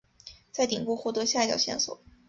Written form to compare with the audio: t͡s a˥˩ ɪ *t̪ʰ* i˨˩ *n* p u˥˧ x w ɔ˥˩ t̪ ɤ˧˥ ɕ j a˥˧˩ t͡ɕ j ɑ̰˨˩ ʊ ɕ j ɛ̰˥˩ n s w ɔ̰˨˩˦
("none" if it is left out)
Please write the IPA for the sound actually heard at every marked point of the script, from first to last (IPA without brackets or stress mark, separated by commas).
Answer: t̪, ŋ